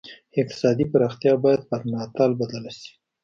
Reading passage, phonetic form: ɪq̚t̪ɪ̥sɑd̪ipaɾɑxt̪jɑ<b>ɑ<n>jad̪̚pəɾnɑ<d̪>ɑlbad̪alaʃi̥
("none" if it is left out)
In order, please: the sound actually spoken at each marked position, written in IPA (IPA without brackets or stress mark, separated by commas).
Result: b, none, t̪